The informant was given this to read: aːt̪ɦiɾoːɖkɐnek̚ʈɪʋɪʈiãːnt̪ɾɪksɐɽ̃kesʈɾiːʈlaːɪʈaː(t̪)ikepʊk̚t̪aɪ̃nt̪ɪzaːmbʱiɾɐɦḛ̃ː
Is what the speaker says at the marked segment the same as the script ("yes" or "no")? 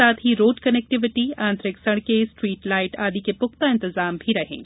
no